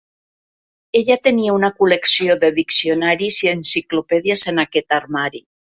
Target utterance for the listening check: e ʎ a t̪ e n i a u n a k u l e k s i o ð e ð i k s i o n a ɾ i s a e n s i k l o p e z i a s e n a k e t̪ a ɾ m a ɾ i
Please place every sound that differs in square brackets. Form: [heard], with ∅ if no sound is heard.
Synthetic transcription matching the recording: e ʎ a t̪ e n i a u n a k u l e k s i o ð e ð i k s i o n a ɾ i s [i] e n s i k l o p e [ð] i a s e n a k e t̪ a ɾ m a ɾ i